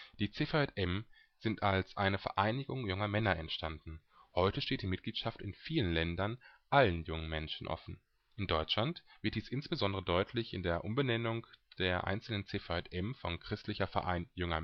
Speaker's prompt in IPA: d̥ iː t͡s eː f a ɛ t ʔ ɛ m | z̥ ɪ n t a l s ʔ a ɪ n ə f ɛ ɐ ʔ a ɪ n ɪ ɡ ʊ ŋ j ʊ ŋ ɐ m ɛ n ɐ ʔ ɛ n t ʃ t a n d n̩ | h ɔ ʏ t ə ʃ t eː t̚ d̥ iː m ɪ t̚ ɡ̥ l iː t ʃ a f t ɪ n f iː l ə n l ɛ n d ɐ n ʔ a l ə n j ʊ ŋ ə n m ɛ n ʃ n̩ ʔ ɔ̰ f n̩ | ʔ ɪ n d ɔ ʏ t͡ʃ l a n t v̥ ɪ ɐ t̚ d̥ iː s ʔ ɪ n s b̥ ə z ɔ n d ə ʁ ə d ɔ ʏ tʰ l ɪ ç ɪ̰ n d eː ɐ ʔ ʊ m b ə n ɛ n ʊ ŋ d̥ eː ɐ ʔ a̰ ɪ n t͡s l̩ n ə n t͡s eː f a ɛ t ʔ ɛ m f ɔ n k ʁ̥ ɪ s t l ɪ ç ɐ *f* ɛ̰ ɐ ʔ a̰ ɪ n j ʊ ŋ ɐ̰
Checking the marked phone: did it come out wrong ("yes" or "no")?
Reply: no